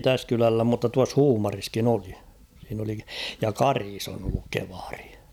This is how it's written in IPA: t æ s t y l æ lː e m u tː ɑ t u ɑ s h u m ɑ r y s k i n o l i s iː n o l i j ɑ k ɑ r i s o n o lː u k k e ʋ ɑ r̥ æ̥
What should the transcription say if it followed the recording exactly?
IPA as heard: t æ s k y l æ lː æ m u tː ɑ t u ɑ s h uː m ɑ r i s k i n o l i s iː n o l i j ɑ k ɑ r i s o n o lː u k k e ʋ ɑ r̥ i̥

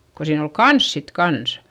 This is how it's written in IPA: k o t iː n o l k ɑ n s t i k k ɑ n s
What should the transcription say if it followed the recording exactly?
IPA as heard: k o s iː n o l k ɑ n s s i t k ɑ n s

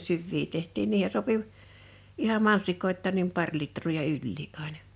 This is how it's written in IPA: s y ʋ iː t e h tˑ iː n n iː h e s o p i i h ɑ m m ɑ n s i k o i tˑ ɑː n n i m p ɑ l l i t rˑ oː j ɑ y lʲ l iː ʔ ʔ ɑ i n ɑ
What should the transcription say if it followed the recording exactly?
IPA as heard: s y ʋː iː t e h tˑ iː n n iː h e s o p i i h ɑ m m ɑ n s i k o i tˑ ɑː n n i m p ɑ r l i t rˑ oː j ɑ y lʲ l iː ʔ ʔ ɑ i n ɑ

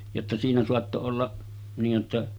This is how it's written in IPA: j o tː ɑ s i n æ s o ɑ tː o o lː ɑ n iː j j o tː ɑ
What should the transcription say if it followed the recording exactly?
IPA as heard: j o tː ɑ s iː n æ s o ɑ tː o o lː ɑ n iː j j o tː ɑ

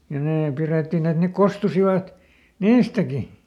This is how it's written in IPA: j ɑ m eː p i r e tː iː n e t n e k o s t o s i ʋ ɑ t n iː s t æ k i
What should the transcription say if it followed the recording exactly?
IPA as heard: j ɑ n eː p i r e tː i n e t n e k o s t u s i ʋ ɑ t n iː s t æ k i

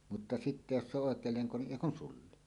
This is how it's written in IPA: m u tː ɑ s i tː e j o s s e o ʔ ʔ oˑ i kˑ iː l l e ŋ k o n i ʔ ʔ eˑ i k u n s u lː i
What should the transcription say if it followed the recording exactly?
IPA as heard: m u tː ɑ s i tː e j o s s e o ʔ ʔ oˑ e kˑ eː l l e ŋ k o n i ʔ ʔ eˑ i k u n s u lː i

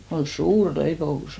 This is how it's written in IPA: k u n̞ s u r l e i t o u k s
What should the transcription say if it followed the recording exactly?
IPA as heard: k o n̞ s uː r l e i p o u s

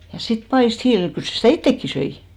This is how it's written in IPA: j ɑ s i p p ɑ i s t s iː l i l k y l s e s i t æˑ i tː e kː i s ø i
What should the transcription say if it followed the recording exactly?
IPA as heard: j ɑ s i t p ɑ i s t h iː l i l k y l s e s i t æˑ i tː e kː i s ø i

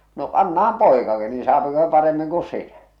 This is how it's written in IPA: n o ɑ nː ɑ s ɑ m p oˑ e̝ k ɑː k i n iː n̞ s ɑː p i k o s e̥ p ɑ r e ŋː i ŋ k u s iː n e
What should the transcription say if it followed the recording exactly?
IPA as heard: n o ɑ nː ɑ h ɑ m p oˑ e̝ k ɑ k i n iː n̞ s ɑː p i k o s e̥ p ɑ r e mː i ŋ k u s i n æ

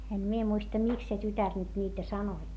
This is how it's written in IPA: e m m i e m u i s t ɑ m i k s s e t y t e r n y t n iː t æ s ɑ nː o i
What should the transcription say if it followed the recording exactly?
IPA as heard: e m m i e m u i s t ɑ m i k s s e t y t æ r n y t n iː t æ s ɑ n o i

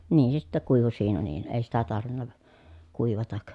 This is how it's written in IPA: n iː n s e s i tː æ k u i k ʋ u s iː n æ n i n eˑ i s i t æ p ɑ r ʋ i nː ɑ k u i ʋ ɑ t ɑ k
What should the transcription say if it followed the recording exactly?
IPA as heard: n iː n s e s i tː æ k u i ʋ u s iː n æ n iː n eˑ i s i t æ t ɑ r ʋ i nː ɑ k u i ʋ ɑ t ɑ k

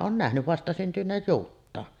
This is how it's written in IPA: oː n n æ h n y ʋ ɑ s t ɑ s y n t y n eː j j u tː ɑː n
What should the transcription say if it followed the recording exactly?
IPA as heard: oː n n æ h n y ʋ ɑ s t ɑ s y n t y n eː j j uː tː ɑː n

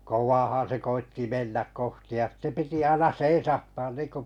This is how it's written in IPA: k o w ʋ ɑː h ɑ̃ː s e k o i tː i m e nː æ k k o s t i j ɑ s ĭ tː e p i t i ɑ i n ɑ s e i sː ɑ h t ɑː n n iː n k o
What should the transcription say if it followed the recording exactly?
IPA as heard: k o w ʋ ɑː h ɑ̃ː s e k o i tː i m e nː æ k k o h t i j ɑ s ĭ tː e p i t i ɑ i n ɑ s e i s ɑ h t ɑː n n iː n k o

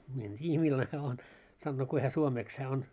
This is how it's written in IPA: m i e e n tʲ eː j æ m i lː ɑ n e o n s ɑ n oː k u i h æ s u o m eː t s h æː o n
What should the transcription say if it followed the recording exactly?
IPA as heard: m i e e n tʲ iː j æ m i lː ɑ n e o n s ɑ nː oː k u i h æ s u o m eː k s h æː o n

